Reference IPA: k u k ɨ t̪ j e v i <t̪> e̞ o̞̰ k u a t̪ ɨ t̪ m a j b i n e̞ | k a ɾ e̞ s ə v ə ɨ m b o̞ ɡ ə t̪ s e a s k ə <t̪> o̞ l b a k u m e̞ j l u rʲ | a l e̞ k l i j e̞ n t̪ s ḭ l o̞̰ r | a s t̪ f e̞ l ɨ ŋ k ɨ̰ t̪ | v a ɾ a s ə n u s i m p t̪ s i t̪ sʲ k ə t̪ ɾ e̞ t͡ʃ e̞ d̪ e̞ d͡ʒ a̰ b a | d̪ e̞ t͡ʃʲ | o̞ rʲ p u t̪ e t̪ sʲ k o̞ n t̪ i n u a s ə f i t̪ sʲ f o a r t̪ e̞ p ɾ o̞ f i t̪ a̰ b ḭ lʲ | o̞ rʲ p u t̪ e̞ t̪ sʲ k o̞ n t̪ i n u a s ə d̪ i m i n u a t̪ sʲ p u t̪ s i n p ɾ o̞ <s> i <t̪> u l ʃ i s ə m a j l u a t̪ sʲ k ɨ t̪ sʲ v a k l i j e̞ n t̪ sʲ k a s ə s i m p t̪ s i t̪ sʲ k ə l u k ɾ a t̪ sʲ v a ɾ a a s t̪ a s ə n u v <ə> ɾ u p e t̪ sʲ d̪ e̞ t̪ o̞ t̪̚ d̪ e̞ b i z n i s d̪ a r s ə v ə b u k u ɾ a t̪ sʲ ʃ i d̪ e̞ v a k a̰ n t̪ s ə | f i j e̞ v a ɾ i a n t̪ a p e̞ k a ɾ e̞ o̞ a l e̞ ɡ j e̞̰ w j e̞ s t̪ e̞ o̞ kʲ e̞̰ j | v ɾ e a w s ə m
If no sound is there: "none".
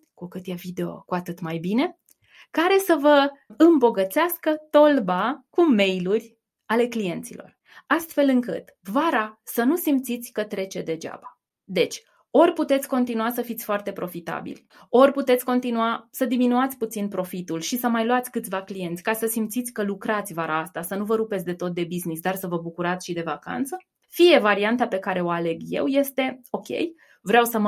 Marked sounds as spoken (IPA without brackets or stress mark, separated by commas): d̪, t̪, f, t̪, ə